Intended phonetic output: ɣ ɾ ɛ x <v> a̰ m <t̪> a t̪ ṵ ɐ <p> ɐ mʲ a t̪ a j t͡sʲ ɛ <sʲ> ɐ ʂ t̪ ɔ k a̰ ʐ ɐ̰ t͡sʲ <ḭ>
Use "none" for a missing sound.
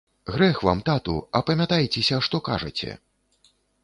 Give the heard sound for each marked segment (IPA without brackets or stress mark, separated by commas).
v, t̪, p, sʲ, ɛ̰